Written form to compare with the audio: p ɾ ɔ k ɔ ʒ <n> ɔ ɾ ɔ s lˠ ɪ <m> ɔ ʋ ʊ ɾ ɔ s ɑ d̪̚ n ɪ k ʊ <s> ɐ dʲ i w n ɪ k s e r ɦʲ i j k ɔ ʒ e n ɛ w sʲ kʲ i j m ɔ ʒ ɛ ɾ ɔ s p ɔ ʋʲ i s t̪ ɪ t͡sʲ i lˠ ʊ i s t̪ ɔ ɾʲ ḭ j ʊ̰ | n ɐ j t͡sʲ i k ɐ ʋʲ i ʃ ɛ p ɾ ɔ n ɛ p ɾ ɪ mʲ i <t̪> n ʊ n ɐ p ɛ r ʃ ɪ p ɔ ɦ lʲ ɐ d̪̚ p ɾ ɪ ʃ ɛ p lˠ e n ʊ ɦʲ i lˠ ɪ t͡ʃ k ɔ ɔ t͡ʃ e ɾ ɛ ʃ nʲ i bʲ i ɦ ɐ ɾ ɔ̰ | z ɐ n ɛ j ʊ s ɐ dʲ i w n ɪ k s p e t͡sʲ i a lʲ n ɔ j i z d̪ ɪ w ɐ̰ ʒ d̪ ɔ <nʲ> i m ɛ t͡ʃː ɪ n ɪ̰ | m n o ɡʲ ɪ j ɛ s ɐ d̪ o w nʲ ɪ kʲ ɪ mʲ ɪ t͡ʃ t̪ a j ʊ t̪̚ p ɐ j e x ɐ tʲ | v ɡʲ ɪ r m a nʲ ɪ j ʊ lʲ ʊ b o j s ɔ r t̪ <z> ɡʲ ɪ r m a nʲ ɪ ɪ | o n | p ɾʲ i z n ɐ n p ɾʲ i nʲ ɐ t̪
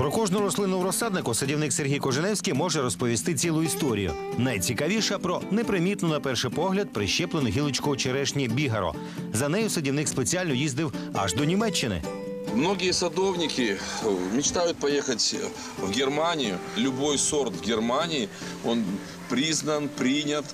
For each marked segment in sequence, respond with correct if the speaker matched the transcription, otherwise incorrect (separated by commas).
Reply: correct, incorrect, correct, correct, correct, incorrect